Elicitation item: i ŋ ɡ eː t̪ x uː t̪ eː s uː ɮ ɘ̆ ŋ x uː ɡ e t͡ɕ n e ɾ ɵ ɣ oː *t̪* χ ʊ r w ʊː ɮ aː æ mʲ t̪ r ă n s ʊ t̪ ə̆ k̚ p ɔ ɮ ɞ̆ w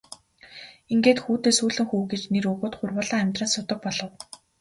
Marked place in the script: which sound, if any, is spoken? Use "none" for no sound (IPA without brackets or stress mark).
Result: t̪